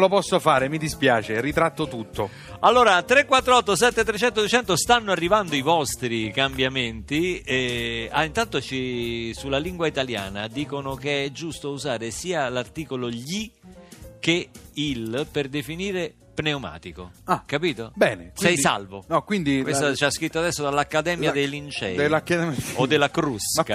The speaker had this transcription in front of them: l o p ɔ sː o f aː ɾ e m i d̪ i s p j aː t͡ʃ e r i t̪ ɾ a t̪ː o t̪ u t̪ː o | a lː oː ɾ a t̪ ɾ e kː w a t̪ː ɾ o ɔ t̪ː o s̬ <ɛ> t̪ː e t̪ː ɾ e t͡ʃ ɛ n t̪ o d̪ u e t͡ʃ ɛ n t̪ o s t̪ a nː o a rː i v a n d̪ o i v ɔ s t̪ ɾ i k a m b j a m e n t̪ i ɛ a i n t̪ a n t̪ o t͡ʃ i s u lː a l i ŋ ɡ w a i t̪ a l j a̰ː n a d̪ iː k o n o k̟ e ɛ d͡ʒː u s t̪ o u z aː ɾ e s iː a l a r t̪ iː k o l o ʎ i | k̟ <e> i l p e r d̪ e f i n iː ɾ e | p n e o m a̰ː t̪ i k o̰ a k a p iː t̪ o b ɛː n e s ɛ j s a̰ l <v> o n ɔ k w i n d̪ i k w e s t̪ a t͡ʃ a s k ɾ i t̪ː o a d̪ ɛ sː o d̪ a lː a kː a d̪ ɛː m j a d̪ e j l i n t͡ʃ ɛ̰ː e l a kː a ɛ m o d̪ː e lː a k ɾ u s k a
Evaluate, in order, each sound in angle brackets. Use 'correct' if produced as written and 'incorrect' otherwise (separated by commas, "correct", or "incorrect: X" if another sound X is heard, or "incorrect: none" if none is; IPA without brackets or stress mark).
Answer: correct, correct, correct